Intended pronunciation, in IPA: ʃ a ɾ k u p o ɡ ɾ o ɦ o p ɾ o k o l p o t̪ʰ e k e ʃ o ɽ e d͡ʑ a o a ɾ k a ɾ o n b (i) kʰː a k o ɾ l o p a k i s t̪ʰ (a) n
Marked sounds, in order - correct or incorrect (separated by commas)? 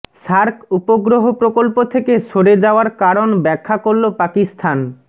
incorrect, correct